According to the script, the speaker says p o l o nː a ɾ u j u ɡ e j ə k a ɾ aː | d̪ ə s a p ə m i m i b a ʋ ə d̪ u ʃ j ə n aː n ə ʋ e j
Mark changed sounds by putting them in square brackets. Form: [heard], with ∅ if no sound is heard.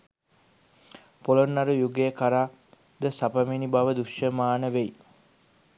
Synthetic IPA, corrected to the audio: p o l o nː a ɾ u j u ɡ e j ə k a ɾ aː | d̪ ə s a p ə m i [n] i b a ʋ ə d̪ u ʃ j ə [m] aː n ə ʋ e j